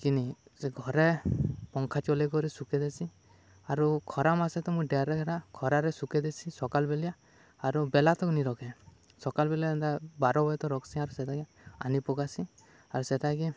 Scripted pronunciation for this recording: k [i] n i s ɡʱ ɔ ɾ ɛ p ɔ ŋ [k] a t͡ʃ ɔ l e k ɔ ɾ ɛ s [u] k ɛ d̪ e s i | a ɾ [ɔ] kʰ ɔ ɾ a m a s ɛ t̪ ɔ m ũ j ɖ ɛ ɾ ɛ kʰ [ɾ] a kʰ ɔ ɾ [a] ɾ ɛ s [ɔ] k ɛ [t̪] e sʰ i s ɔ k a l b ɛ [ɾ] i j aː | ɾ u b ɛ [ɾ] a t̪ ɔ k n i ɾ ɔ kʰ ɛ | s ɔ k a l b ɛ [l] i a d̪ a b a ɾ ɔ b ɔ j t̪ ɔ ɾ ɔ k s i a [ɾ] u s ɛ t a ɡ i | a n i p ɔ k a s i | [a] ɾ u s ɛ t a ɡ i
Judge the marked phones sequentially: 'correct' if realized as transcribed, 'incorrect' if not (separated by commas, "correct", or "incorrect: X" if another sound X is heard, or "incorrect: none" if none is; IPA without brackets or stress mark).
correct, incorrect: kʰ, correct, incorrect: u, correct, correct, incorrect: u, incorrect: d̪, incorrect: l, incorrect: l, correct, correct, correct